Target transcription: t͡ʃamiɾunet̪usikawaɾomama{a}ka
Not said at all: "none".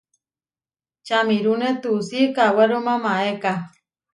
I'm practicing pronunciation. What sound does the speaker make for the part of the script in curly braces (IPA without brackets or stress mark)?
e